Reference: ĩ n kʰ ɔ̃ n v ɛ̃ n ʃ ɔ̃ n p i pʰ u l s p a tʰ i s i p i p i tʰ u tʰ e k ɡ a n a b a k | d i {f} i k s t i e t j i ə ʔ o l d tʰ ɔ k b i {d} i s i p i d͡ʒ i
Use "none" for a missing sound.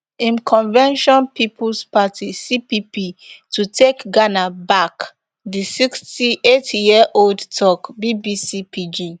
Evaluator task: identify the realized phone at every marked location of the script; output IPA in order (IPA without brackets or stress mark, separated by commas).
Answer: s, b